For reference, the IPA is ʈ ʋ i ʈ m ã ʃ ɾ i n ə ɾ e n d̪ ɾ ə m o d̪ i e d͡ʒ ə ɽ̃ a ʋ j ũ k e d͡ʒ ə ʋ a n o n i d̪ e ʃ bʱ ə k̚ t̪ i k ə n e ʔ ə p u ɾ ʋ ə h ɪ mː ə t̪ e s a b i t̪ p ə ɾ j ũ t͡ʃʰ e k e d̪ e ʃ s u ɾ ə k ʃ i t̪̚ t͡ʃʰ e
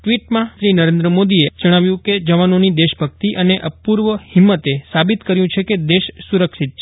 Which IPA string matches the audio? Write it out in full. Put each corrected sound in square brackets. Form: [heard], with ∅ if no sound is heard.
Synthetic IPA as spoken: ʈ ʋ i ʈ m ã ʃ ɾ i n ə ɾ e n d̪ ɾ ə m o d̪ i e d͡ʒ ə ɽ̃ a ʋ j ũ k e d͡ʒ ə ʋ a n o n i d̪ e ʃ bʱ ə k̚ t̪ i [ʔ] ə n e ʔ ə p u ɾ ʋ ə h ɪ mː ə t̪ e s a b i t̪ [k] ə ɾ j ũ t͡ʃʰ e k e d̪ e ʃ s u ɾ ə k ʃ i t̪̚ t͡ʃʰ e